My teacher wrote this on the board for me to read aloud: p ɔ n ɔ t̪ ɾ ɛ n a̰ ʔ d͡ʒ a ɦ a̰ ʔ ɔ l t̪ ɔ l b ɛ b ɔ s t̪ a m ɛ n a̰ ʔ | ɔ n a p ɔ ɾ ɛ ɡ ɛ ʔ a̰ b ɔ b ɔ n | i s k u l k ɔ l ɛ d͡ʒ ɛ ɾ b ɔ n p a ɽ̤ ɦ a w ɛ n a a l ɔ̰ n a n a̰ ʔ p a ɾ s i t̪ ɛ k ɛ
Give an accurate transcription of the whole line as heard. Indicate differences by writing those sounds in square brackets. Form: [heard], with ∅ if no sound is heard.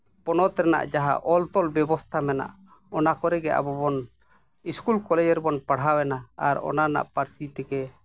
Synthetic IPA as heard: p ɔ n ɔ t̪ ɾ ɛ n a̰ ʔ d͡ʒ a ɦ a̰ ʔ ɔ l t̪ ɔ l b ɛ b ɔ s [t̪ʰ] a m ɛ n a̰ ʔ | ɔ n a [k] ɔ ɾ ɛ ɡ ɛ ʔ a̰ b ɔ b ɔ n | i s k u l k ɔ l ɛ d͡ʒ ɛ ɾ b ɔ n p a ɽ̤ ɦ a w ɛ n a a [ɾ] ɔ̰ n a n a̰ ʔ p a ɾ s i t̪ ɛ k ɛ